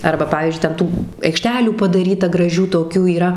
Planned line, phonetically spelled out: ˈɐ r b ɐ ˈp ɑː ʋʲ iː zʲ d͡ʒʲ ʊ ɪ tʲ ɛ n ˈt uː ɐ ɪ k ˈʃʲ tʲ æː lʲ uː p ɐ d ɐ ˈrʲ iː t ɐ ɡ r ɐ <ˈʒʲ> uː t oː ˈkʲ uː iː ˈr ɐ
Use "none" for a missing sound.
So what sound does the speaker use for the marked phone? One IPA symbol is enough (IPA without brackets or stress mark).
ʒʲ